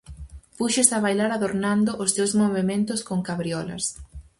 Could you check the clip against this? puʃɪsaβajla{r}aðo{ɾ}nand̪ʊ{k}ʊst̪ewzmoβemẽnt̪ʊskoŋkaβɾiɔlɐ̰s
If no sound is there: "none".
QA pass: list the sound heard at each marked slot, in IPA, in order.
ɾ, ɾ, ʔ

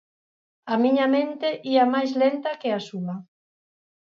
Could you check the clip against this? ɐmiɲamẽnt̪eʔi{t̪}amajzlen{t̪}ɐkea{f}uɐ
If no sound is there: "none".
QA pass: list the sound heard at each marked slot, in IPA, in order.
none, t̪, s

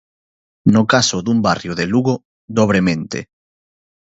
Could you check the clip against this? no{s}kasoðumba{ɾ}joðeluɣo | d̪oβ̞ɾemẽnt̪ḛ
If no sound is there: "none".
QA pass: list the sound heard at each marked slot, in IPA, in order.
none, r

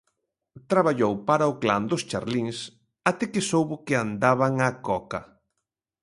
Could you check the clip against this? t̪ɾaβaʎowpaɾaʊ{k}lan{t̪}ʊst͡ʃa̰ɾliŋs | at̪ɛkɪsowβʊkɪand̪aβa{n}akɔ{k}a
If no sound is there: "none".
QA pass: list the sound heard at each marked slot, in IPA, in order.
k, d̪, ŋ, k

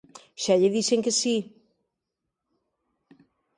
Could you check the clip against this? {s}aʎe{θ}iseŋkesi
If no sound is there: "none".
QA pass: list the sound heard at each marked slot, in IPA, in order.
ʃ, ð

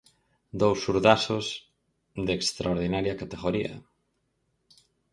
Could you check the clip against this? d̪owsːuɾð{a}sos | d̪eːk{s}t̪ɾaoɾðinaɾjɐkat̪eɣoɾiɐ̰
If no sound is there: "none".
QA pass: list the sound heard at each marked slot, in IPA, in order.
a, s

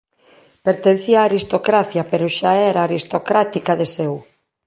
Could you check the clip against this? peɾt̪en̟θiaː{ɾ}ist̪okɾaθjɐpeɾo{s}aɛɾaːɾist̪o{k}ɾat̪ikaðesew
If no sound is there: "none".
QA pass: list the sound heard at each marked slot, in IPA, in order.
ɾ, ʃ, k

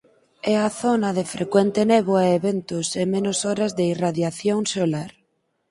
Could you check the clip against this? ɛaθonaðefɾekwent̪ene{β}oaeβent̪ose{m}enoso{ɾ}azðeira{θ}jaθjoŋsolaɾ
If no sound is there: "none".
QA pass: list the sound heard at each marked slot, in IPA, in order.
β, m, ɾ, ð

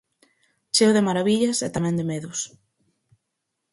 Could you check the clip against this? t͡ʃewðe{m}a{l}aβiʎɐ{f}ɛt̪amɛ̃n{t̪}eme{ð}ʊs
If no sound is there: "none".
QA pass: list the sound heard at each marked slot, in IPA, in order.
m, ɾ, s, d̪, ð

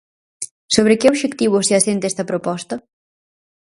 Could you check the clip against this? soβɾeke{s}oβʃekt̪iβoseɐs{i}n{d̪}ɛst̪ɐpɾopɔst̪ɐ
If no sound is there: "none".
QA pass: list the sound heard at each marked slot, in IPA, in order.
none, e, t̪

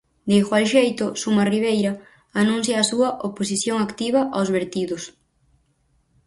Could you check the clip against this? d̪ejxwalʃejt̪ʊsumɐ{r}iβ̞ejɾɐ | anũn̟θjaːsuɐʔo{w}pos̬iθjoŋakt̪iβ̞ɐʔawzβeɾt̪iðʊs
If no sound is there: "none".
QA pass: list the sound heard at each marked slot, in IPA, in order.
r, none

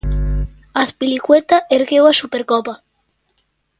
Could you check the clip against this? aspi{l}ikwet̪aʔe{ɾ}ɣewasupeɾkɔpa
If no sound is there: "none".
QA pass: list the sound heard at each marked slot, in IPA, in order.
l, ɾ

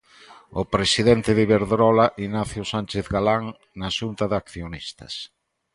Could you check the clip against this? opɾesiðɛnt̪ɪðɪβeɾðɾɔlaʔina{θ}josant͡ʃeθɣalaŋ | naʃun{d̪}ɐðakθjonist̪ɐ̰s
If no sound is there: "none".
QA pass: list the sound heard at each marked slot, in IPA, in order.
θ, t̪

